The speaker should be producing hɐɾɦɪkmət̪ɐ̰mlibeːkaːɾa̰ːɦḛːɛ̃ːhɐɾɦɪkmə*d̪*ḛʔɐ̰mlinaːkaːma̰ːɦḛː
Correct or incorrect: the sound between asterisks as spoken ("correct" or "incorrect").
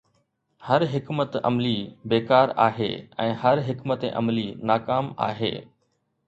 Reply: incorrect